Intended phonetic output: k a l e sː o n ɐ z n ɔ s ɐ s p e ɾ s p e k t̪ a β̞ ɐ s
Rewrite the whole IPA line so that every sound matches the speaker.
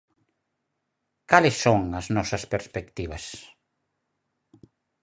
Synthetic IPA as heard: k a l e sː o ŋ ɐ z n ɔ s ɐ s p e ɾ s p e k t̪ i β̞ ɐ s